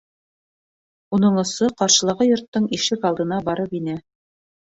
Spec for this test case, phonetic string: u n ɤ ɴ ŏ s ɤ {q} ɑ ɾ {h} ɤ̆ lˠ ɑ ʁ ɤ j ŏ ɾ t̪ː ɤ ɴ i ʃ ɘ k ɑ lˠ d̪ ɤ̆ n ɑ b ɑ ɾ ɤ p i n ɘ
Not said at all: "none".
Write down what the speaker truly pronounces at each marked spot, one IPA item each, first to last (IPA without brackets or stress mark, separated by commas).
q, ʃ